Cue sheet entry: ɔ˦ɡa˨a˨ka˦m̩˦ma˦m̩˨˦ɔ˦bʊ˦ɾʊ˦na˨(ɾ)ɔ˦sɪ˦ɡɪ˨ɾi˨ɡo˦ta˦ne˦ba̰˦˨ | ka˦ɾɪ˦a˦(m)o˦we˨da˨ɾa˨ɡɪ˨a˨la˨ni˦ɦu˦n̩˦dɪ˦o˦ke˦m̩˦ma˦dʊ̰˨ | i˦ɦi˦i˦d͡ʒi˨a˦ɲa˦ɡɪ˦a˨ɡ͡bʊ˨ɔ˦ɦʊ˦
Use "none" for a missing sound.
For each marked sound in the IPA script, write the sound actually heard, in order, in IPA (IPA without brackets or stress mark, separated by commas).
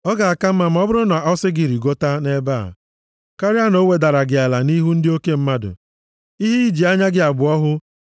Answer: none, n